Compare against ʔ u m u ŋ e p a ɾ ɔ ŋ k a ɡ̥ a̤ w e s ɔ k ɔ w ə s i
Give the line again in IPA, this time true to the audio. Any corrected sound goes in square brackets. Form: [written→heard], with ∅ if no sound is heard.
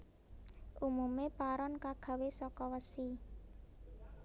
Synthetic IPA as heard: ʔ u m u [ŋ→m] e p a ɾ ɔ [ŋ→n] k a ɡ̥ a̤ w e s ɔ k ɔ w ə s i